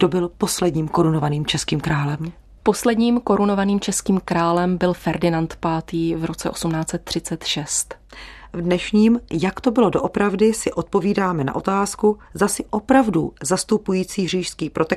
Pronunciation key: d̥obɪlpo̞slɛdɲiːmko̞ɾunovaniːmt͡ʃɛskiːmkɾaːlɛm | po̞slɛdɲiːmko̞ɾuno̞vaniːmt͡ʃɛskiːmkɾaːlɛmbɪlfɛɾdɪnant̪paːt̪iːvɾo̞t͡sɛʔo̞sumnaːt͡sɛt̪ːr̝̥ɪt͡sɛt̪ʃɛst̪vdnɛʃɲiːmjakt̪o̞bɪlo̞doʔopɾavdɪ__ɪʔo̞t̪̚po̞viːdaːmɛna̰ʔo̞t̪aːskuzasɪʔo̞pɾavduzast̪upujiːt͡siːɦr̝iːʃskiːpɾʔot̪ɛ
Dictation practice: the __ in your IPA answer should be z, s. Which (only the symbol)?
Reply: s